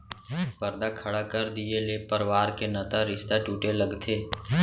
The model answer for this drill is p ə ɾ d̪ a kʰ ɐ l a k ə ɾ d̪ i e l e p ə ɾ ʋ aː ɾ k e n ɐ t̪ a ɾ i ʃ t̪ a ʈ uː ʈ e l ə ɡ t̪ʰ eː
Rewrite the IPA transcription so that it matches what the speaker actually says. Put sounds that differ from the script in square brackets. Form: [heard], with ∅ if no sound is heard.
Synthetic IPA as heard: p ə ɾ d̪ a kʰ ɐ [ɽ] a k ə ɾ d̪ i e l e p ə ɾ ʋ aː ɾ k e n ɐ t̪ a ɾ [ɪ] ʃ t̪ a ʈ uː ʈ e l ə ɡ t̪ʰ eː